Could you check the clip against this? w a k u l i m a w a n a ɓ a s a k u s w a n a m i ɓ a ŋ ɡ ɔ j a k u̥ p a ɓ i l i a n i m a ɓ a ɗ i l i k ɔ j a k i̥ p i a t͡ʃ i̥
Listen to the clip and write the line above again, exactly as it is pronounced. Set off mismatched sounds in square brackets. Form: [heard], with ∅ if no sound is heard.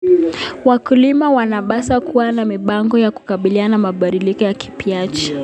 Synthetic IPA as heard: w a k u l i m a w a n a ɓ a s a k u [∅] w a n a m i ɓ a ŋ ɡ ɔ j a k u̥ [k] a ɓ i l i a n [a] m a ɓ a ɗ i l i k ɔ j a k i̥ p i a t͡ʃ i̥